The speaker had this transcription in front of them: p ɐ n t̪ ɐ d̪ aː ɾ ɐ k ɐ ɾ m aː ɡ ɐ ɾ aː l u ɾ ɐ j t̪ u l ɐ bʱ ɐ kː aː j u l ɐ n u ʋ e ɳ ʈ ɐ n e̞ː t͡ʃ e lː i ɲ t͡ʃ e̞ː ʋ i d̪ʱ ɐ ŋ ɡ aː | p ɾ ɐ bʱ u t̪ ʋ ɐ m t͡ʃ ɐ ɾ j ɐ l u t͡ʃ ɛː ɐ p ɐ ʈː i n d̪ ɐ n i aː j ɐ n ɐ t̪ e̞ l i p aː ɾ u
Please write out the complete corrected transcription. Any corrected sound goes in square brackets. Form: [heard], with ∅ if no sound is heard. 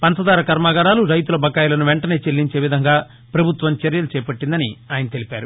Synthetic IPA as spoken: p ɐ n t̪ ɐ d̪ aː ɾ ɐ k ɐ ɾ m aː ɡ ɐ ɾ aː l u ɾ ɐ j t̪ u l ɐ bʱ ɐ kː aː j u l ɐ n u ʋ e ɳ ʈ ɐ n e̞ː t͡ʃ e lː i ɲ t͡ʃ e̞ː ʋ i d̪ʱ ɐ ŋ ɡ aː | p ɾ ɐ bʱ u t̪ ʋ ɐ m t͡ʃ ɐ ɾ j ɐ l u t͡ʃ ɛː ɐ p ɐ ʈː i n d̪ ɐ n i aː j ɐ n ɐ t̪ e̞ l i p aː ɾ u